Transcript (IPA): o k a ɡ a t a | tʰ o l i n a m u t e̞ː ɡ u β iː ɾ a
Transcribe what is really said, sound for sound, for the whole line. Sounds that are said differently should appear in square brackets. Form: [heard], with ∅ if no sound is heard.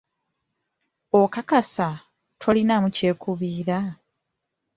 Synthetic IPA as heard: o k a [k] a [s] a | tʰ o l i n a m u [c] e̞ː [k] u β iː ɾ a